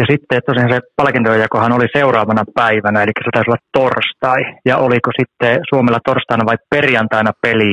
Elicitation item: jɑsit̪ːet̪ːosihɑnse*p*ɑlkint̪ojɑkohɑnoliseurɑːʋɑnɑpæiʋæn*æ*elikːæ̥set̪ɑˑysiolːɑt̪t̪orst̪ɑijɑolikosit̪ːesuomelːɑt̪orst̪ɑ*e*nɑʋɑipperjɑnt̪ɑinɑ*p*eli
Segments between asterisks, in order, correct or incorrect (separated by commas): correct, correct, incorrect, correct